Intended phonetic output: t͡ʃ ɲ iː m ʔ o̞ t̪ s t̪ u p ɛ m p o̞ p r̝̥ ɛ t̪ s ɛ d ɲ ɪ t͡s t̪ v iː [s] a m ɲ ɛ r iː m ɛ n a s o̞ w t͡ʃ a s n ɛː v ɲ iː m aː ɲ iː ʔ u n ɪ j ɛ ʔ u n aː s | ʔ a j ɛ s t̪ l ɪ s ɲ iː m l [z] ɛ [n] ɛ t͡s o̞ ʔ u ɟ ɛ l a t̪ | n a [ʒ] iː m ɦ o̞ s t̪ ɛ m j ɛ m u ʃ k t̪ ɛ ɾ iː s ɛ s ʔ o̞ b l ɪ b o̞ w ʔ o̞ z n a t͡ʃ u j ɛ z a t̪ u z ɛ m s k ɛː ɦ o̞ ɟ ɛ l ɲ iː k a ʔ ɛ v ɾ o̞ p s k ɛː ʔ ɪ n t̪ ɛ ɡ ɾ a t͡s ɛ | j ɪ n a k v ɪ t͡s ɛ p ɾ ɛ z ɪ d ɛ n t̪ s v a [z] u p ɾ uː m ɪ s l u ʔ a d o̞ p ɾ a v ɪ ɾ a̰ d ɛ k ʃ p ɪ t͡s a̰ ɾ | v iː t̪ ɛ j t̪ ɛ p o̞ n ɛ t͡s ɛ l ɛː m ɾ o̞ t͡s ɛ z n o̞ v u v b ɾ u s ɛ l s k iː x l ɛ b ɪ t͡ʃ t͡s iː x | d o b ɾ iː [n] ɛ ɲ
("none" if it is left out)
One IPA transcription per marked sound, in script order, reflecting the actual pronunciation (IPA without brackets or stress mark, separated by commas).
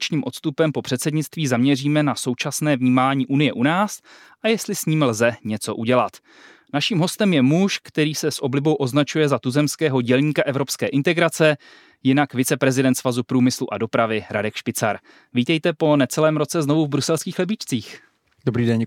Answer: z, z, ɲ, ʃ, z, d